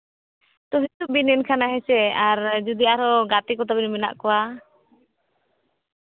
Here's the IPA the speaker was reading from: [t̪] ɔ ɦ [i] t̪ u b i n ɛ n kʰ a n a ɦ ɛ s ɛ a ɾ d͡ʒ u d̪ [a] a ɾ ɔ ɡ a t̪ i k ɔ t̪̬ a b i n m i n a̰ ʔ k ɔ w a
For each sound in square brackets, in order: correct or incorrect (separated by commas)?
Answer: correct, correct, incorrect